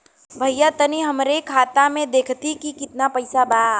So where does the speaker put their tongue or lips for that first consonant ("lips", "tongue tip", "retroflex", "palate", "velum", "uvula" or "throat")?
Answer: lips